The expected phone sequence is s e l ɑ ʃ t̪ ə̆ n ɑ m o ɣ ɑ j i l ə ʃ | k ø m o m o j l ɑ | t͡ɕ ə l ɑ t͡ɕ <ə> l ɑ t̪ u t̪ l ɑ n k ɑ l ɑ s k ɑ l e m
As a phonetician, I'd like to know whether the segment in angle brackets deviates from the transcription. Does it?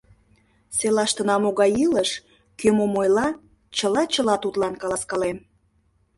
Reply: no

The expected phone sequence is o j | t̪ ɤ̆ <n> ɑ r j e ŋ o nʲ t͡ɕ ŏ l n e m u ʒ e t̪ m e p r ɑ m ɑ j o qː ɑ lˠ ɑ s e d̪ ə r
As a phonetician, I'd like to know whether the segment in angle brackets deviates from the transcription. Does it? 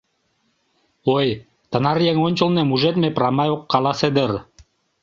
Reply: no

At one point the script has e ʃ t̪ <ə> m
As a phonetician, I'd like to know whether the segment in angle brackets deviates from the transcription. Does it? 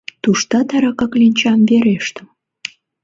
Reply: no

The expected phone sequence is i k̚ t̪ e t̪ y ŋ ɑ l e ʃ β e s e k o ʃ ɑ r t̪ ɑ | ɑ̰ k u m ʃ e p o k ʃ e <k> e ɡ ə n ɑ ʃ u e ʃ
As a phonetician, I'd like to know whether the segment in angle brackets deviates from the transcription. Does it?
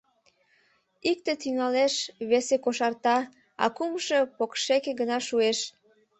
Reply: no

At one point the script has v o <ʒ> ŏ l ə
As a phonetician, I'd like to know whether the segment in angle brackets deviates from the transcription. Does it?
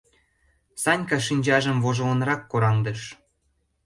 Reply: no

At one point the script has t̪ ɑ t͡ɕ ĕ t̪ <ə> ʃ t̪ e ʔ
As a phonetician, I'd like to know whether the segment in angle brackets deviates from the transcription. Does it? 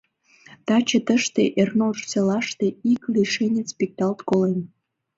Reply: no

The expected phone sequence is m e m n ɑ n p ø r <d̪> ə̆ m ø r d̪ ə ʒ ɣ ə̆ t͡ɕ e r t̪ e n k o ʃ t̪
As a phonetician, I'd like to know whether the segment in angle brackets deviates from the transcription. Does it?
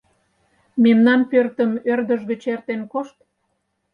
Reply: yes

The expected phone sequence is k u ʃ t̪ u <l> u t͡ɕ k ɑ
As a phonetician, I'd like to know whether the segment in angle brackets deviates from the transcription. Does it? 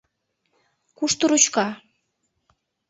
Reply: yes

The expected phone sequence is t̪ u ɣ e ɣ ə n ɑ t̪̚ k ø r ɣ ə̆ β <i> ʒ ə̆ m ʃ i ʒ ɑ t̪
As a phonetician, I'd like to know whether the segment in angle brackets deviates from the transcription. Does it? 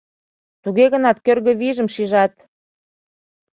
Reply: no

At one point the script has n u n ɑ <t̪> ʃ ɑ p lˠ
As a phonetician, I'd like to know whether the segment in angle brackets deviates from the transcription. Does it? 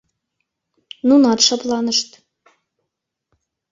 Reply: no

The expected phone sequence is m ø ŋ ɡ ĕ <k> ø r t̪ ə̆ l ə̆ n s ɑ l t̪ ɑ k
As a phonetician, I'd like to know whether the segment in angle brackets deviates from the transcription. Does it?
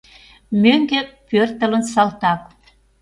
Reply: yes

